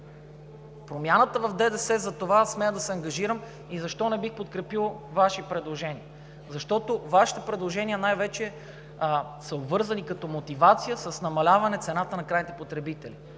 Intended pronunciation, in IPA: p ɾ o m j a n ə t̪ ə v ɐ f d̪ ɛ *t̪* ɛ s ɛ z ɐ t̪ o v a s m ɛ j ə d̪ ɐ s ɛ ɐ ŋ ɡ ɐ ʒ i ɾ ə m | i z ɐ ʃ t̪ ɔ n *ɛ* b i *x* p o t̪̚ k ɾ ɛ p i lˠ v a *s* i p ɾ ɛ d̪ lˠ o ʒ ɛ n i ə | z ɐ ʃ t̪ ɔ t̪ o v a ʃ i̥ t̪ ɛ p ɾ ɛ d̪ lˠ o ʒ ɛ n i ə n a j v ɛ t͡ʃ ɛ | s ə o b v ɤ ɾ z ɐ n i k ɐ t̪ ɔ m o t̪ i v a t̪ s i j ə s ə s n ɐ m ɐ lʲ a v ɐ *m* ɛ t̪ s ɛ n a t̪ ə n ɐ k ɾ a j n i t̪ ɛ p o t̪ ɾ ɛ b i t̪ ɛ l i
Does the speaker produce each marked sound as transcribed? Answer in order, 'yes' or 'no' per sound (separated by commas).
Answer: no, yes, yes, no, no